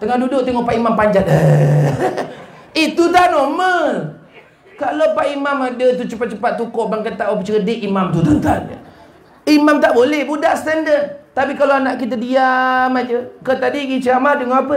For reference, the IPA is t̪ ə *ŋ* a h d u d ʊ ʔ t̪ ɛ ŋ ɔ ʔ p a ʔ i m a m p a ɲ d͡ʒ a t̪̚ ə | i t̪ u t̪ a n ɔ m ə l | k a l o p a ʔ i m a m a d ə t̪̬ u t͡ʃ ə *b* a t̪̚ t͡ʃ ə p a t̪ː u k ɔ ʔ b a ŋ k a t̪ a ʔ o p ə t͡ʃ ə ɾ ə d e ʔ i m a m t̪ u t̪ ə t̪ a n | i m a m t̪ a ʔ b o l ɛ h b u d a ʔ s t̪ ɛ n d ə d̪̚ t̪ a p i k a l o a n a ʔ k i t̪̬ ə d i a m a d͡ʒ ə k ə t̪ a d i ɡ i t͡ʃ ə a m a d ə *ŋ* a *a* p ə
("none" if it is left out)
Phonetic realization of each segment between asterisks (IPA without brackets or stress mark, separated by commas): ŋ, p, ŋ, a